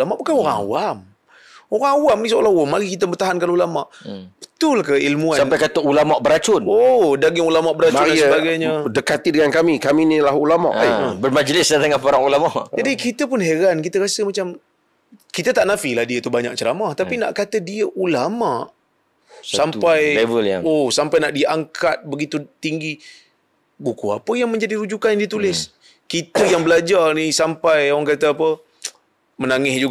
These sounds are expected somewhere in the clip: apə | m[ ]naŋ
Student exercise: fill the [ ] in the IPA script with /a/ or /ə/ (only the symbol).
ə